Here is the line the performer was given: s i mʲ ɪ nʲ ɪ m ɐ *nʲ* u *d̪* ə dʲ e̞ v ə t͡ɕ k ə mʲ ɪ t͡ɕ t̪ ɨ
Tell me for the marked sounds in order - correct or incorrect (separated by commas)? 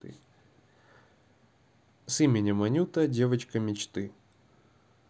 correct, incorrect